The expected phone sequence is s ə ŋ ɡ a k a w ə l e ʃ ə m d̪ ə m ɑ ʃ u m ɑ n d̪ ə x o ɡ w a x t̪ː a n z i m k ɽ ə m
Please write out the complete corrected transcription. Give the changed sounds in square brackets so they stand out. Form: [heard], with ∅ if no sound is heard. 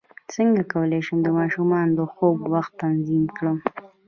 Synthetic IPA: s ə ŋ ɡ a k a w ə l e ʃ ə m d̪ ə m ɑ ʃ u m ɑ n d̪ ə x o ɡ w a x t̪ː a n z i m k ɽ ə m